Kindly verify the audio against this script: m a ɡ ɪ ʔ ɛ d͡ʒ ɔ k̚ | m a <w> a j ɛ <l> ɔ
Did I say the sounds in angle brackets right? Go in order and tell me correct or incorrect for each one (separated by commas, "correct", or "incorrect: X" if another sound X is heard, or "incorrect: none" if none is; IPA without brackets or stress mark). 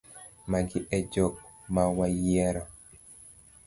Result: correct, incorrect: ɾ